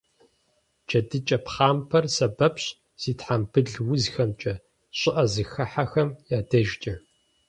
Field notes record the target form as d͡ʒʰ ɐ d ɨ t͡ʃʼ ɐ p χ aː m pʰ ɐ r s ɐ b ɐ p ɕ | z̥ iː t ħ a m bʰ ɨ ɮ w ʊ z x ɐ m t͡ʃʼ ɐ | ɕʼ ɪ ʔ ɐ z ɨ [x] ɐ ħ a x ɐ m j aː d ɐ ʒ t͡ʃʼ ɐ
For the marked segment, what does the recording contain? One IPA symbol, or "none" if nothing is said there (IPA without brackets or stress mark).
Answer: x